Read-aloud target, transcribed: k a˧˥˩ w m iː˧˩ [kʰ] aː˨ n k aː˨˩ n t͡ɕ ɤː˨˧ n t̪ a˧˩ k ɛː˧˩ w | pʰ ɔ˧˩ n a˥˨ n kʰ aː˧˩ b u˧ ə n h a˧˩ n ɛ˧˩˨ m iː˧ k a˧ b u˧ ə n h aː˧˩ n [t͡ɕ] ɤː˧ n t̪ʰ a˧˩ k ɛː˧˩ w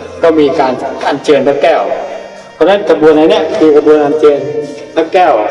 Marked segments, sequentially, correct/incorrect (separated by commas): incorrect, correct